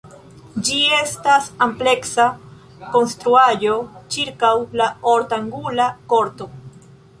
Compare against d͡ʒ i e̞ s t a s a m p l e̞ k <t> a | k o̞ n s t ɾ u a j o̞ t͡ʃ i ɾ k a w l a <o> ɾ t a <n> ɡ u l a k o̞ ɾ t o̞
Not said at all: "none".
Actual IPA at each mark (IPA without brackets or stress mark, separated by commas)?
s, o, ŋ